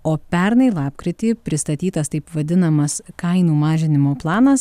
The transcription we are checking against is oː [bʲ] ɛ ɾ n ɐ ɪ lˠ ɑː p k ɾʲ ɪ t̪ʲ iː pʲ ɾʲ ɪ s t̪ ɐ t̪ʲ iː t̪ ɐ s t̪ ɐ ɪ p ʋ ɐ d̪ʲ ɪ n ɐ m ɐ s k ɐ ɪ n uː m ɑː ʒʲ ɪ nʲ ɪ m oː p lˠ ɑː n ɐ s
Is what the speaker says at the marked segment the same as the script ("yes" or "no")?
no